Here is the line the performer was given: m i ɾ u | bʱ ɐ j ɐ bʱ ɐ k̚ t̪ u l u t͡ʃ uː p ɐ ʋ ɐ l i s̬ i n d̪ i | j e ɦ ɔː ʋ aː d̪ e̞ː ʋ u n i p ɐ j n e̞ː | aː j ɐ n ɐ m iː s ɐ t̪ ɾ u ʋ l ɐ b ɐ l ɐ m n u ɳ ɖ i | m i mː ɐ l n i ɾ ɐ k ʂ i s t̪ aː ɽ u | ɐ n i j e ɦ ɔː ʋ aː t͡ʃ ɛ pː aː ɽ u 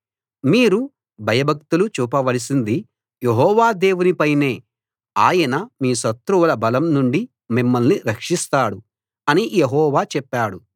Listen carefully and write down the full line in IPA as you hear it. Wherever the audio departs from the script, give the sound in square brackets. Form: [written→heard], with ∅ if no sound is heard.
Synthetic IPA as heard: m [i→iː] ɾ u | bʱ ɐ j ɐ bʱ ɐ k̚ t̪ u l u t͡ʃ uː p ɐ ʋ ɐ l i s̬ i n d̪ i | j e ɦ ɔː ʋ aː d̪ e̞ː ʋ u n i p ɐ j n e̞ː | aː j ɐ n ɐ m iː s ɐ t̪ ɾ u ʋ l ɐ b ɐ l ɐ m n u ɳ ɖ i | m i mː ɐ l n i ɾ ɐ k ʂ i s t̪ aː ɽ u | ɐ n i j e ɦ ɔː ʋ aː t͡ʃ ɛ pː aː ɽ u